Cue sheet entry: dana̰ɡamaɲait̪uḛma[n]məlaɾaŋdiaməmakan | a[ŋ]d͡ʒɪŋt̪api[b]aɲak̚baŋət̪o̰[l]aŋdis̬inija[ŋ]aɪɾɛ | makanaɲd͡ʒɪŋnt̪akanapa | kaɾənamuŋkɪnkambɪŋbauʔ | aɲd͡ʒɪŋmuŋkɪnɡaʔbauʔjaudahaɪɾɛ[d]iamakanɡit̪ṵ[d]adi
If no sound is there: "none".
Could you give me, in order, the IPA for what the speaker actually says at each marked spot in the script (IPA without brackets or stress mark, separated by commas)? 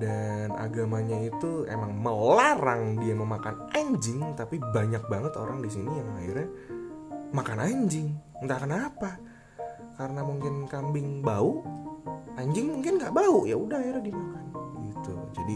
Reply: ŋ, ɲ, b, ɾ, ŋ, d, d͡ʒ